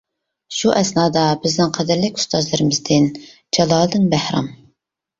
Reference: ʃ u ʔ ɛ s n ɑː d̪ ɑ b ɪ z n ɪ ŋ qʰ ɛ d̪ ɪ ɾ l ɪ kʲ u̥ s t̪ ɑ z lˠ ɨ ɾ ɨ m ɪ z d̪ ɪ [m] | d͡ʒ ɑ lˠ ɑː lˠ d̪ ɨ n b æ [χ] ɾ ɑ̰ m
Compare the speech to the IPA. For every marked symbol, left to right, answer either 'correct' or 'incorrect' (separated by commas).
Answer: incorrect, incorrect